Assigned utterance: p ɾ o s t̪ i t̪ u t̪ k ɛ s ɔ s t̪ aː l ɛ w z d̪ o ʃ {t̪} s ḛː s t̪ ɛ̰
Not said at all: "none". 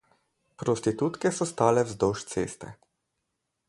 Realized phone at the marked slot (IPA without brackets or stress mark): t̪